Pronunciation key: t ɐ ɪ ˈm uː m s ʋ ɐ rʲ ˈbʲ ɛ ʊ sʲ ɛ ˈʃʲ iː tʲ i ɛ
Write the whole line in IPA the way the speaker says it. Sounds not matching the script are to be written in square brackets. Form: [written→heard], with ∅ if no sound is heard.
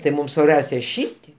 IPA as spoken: t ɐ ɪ ˈm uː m s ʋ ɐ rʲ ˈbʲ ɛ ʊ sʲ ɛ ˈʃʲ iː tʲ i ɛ